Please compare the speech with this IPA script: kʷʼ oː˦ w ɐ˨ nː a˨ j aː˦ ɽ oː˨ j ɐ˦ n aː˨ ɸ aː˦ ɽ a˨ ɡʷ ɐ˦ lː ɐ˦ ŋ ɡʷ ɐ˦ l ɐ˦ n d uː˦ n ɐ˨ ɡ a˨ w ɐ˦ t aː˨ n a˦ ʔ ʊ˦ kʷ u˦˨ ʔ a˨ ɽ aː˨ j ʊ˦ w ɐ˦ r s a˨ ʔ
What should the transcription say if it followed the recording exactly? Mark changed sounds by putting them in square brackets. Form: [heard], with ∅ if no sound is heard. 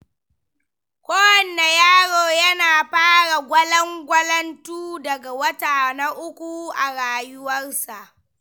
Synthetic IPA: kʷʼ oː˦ w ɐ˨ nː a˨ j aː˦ ɽ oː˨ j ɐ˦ n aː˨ ɸ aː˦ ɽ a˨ ɡʷ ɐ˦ [l] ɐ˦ ŋ ɡʷ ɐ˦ l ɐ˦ n [t] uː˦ [d] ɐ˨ ɡ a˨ w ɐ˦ t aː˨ n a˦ ʔ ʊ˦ kʷ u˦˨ ʔ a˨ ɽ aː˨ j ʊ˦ w ɐ˦ r s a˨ ʔ